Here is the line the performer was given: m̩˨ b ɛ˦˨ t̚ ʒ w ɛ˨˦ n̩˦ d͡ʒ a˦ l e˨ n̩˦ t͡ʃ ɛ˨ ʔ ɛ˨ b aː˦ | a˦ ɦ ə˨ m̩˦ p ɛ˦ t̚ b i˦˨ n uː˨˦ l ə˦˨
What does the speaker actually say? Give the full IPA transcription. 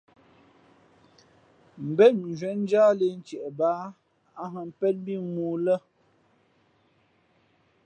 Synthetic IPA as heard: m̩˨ b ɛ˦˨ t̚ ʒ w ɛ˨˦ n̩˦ d͡ʒ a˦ l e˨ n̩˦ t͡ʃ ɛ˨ ʔ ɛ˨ b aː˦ | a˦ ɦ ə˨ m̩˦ p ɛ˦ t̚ b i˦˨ m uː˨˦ l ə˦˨

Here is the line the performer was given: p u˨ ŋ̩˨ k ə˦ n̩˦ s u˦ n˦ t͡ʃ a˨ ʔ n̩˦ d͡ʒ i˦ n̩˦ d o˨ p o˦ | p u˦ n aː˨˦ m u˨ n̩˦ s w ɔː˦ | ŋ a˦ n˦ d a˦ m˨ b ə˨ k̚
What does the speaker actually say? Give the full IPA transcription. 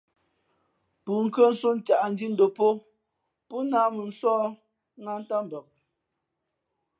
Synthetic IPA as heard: p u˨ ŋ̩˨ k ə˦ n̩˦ s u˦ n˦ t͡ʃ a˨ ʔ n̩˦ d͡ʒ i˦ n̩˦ d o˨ p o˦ | p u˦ n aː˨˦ m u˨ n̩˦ s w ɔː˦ | ŋ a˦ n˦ t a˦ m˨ b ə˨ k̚

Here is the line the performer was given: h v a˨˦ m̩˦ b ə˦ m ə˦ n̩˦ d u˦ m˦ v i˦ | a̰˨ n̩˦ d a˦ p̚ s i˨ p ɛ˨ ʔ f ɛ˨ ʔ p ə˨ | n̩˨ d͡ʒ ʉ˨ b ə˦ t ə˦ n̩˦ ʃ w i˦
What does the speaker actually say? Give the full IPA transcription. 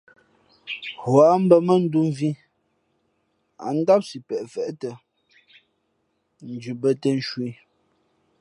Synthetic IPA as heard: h w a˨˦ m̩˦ b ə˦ m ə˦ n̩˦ d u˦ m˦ v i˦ | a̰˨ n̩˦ d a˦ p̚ s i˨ p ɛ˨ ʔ f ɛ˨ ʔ t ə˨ | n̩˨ d͡ʒ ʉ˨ b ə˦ t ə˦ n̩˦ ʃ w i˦

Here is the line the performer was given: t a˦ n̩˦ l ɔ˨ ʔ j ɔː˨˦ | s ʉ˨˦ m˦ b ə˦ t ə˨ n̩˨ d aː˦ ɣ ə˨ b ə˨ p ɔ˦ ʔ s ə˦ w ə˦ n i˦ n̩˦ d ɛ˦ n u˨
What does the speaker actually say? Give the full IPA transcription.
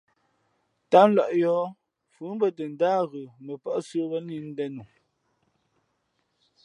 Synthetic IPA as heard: t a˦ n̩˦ l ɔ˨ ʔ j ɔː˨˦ | f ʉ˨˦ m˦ b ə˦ t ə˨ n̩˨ d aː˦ ɣ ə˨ m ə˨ p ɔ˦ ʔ s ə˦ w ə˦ n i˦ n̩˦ d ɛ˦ n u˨

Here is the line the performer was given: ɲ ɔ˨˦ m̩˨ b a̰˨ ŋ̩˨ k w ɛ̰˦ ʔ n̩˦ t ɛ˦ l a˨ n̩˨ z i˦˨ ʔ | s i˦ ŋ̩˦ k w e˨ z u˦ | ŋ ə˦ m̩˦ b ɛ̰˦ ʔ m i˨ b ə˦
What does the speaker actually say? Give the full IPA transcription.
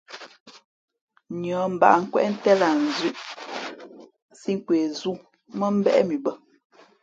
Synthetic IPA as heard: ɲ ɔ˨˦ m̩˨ b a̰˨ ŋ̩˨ k w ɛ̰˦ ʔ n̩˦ t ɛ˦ l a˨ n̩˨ z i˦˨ ʔ | s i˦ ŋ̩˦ k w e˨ z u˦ | m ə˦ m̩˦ b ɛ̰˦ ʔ m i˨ b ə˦

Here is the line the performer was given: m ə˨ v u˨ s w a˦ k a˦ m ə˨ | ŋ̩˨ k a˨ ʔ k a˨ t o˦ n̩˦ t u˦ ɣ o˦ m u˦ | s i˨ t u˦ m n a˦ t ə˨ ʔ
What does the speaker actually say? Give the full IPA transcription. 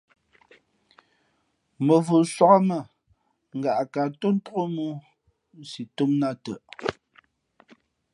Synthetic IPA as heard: m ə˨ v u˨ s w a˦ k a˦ m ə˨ | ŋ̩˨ ɡ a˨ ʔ k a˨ t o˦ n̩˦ t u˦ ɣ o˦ m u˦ | s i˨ t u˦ m n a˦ t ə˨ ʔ

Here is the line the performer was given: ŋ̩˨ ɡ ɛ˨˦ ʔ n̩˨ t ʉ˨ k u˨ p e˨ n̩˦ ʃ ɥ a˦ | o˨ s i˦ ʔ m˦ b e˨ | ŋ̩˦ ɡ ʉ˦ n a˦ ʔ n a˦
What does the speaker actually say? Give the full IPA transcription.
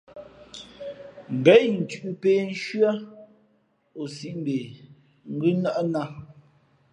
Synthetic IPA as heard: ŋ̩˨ ɡ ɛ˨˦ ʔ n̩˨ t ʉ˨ ʔ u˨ p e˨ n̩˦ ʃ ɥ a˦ | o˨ s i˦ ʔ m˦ b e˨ | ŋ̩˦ ɡ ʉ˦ n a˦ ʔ n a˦

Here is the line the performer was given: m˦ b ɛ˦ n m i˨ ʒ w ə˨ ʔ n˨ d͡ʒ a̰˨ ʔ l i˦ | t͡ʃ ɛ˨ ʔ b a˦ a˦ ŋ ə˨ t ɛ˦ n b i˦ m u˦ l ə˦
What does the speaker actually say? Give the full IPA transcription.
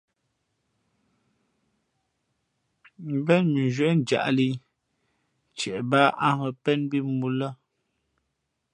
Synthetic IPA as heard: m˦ b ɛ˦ n m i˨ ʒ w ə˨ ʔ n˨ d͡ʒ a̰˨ ʔ l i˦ | t͡ʃ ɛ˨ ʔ b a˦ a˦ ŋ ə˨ p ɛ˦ n b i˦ m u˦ l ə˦

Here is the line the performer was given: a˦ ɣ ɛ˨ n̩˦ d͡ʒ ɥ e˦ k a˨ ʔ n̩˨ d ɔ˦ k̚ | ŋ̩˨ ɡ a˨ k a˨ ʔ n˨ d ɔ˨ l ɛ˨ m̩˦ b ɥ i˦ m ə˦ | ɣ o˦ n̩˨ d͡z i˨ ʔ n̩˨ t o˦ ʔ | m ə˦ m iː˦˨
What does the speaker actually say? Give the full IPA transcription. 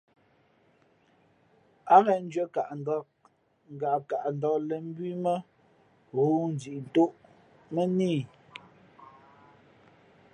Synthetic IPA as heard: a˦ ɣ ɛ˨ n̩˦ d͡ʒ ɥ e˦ k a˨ ʔ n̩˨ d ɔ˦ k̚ | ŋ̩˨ ɡ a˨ k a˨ ʔ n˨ d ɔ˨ l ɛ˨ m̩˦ b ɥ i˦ m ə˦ | ɣ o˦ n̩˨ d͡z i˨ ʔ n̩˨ t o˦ ʔ | m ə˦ n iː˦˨

